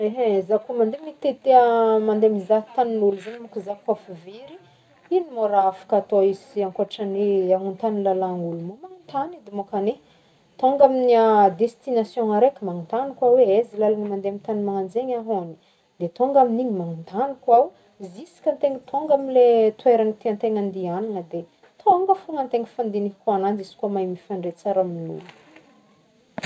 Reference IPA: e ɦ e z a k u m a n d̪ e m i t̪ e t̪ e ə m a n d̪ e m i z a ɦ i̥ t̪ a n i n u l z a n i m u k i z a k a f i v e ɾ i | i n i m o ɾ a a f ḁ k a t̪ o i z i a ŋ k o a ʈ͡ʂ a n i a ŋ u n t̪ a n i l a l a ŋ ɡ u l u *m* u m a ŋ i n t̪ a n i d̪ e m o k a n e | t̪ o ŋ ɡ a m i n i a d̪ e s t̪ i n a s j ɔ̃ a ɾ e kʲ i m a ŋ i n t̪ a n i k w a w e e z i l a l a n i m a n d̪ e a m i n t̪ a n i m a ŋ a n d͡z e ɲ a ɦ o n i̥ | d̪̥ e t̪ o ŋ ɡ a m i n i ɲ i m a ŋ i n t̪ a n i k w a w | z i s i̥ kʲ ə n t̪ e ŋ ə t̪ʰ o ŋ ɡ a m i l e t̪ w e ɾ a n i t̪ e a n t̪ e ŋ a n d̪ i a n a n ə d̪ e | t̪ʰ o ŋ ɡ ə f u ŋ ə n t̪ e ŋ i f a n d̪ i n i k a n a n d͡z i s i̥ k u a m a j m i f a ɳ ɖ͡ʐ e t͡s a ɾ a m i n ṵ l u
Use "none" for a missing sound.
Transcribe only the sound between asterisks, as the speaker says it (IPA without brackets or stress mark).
m